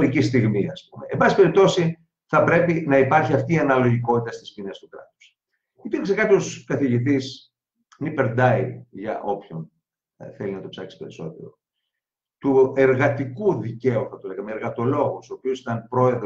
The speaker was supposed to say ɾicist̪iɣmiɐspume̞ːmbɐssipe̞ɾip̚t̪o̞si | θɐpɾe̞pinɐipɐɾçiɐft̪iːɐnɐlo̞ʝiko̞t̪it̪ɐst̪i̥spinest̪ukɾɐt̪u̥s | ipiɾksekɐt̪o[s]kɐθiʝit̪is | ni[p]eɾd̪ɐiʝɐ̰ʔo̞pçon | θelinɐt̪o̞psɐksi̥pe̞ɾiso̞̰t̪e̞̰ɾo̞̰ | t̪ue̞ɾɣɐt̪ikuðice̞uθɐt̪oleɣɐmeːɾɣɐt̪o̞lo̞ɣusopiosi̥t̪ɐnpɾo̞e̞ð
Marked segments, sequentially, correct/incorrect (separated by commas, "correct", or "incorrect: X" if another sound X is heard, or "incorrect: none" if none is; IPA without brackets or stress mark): correct, correct